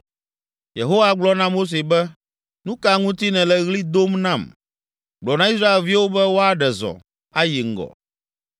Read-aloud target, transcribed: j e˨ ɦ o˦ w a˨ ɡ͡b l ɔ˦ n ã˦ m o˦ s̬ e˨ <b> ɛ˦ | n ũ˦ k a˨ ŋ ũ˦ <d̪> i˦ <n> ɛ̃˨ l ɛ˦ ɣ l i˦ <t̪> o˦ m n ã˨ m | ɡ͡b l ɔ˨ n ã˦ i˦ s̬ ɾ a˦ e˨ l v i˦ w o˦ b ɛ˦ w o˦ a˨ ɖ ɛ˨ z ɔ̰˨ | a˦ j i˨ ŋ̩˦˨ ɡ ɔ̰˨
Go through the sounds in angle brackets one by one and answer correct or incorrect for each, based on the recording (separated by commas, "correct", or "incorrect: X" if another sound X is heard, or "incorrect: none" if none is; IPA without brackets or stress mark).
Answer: correct, incorrect: t̪, correct, incorrect: d̪